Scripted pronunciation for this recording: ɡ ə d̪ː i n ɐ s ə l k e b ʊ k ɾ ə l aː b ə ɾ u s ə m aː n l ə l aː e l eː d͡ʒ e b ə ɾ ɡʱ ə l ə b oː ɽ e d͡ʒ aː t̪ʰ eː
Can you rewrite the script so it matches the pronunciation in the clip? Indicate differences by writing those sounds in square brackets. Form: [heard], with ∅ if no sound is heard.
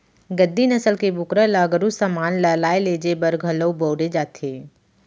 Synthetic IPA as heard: ɡ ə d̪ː i n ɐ s ə l k e b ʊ k ɾ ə l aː [ɡ] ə ɾ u s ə m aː n l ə l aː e l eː d͡ʒ e b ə ɾ ɡʱ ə l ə b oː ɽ e d͡ʒ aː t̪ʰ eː